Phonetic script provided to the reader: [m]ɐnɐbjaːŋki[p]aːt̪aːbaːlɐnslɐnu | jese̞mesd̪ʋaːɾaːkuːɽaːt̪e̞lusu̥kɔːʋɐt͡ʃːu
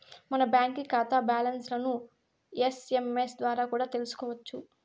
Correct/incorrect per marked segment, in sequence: correct, incorrect: k

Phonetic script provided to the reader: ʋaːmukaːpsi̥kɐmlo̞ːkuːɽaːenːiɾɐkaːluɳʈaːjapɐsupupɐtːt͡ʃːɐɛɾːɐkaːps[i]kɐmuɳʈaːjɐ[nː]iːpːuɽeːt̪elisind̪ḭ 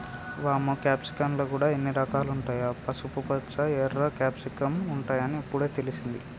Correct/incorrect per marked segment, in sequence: correct, incorrect: n

